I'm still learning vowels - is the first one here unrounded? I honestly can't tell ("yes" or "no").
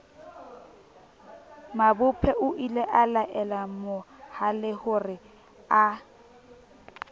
yes